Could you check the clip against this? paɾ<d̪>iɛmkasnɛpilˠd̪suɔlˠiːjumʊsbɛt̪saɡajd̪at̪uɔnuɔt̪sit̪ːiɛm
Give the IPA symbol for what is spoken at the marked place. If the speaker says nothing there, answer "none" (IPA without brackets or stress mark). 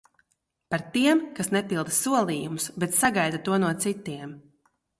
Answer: t̪